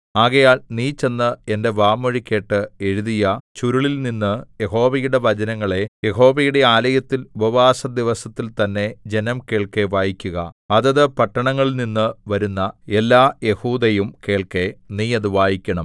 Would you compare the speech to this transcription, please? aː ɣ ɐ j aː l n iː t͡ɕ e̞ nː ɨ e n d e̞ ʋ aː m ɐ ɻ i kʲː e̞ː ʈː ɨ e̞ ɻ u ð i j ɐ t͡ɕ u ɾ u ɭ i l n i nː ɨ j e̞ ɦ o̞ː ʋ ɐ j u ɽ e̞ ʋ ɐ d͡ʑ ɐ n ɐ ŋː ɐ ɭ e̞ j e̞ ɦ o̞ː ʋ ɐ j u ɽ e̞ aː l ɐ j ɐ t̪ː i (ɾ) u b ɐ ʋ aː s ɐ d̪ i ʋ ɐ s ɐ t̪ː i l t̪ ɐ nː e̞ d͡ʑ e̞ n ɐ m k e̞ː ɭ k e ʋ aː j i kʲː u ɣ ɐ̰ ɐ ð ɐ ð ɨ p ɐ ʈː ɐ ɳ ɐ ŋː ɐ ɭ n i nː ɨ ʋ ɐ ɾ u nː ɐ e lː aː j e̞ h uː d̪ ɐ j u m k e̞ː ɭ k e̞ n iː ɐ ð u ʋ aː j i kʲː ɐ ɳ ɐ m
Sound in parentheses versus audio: incorrect: l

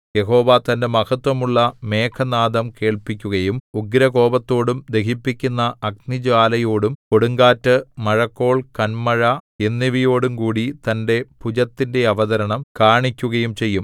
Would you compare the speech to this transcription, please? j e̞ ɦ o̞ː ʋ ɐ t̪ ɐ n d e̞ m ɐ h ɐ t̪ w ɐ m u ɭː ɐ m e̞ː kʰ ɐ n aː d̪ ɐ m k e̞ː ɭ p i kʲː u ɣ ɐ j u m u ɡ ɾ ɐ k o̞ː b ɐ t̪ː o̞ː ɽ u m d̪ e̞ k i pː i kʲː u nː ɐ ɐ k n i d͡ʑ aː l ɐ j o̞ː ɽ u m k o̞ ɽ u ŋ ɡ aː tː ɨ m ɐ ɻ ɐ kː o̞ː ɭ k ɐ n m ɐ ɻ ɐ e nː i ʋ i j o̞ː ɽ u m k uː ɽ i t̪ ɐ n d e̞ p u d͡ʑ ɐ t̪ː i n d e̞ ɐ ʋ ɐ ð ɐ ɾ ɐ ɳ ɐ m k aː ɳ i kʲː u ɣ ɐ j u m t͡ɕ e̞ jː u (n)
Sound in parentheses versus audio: incorrect: m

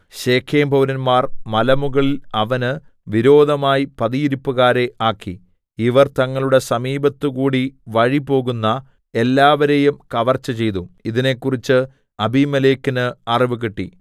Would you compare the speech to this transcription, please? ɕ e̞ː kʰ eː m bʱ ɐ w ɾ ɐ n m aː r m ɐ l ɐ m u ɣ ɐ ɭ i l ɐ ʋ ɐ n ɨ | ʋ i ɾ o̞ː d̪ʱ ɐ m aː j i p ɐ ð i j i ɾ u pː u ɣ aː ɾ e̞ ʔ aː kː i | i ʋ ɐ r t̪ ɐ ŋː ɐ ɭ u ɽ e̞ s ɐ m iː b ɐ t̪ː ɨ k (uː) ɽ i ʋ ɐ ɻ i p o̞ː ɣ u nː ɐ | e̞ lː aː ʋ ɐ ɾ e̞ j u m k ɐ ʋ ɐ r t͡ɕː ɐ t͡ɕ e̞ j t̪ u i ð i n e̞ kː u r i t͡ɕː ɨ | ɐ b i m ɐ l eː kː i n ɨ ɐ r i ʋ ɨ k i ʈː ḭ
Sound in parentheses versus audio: correct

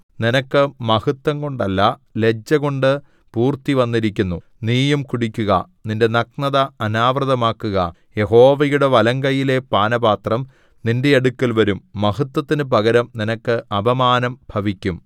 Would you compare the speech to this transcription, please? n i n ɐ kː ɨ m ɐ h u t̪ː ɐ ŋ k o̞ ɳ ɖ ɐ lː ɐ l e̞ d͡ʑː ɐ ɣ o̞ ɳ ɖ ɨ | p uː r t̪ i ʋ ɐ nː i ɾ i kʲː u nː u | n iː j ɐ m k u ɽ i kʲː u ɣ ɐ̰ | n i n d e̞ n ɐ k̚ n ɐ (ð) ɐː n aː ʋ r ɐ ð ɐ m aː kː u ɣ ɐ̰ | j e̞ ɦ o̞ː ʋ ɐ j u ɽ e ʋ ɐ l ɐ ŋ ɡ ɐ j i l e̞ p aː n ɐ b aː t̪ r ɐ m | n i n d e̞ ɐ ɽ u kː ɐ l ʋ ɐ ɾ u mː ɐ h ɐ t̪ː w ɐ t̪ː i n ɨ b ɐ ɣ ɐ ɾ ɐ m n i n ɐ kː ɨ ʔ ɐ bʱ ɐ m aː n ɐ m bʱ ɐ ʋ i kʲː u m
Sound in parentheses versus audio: correct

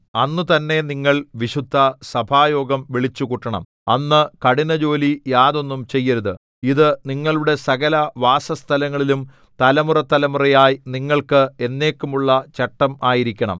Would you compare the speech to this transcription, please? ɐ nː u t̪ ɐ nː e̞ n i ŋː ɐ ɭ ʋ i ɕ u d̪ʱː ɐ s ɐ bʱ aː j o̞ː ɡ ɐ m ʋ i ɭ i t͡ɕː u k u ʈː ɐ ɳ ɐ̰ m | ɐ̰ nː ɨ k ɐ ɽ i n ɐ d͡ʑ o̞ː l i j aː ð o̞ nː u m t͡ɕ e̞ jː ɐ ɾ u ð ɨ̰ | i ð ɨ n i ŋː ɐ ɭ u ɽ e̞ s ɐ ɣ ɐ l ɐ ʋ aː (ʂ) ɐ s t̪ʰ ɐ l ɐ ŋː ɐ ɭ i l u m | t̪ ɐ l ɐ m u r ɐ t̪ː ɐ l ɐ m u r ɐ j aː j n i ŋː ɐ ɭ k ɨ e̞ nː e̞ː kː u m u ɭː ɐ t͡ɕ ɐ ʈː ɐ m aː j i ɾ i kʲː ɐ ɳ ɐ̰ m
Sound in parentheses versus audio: incorrect: s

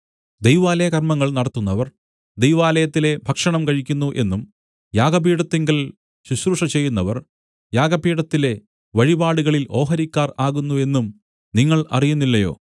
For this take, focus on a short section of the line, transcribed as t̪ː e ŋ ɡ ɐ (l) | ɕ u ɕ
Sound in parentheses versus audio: correct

